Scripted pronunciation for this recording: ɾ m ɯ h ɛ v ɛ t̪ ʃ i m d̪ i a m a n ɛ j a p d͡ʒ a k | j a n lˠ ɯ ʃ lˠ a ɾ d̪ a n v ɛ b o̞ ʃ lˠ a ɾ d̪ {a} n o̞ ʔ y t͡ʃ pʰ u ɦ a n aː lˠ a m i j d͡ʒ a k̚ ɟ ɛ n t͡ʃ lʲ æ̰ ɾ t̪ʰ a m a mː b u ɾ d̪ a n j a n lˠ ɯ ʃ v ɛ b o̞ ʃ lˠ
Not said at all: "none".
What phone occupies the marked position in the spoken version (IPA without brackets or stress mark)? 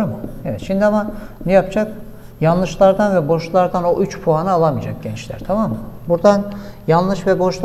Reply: a